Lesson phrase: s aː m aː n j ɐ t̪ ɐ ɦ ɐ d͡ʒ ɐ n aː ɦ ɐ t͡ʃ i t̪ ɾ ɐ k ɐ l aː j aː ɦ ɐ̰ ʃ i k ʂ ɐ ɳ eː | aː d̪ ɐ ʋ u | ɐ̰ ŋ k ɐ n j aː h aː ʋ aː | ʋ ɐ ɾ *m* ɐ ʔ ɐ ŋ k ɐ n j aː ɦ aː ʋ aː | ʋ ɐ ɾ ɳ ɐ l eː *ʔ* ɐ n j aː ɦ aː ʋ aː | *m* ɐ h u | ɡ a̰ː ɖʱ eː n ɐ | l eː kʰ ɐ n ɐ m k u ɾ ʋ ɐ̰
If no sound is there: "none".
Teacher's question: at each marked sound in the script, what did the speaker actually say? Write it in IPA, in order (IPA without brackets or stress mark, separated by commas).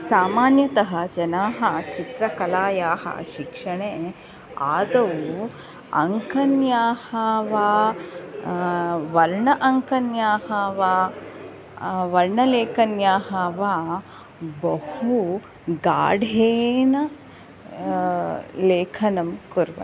ɳ, k, b